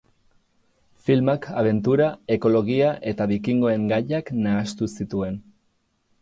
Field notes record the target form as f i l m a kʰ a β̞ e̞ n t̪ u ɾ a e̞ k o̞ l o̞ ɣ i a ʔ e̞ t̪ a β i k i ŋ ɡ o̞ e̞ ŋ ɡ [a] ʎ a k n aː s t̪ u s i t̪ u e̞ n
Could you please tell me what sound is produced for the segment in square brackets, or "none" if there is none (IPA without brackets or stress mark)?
a